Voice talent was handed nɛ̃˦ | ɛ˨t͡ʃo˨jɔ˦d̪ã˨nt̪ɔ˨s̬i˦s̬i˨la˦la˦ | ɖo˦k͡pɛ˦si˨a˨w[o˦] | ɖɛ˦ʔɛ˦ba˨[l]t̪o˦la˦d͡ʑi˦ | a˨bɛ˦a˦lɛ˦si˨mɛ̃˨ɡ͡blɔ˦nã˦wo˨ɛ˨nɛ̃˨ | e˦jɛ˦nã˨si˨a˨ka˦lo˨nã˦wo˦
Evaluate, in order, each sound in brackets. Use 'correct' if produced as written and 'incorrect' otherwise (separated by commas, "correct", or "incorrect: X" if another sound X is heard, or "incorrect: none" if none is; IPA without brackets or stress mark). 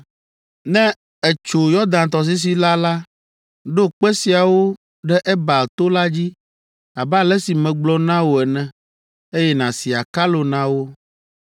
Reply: correct, correct